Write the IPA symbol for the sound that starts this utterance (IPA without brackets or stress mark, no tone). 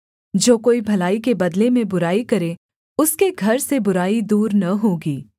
d͡ʒ